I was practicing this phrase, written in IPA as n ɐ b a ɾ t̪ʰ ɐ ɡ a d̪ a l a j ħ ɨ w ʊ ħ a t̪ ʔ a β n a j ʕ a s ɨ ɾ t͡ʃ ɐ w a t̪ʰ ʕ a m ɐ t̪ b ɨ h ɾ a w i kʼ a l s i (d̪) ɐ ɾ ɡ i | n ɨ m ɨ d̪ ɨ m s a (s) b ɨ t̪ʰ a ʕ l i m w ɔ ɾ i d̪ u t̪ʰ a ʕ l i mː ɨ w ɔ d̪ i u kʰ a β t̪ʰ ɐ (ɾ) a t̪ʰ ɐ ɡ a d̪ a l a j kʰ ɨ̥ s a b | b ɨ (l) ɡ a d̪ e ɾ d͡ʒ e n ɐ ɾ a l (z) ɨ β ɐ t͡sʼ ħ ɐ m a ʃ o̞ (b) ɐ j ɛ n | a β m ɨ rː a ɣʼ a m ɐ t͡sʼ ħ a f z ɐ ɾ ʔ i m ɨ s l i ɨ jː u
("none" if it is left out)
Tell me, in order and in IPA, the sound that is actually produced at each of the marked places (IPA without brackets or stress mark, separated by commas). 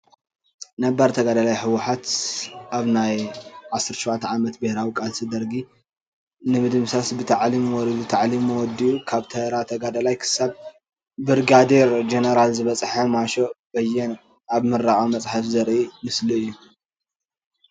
d̪, s, ɾ, ɾ, z, b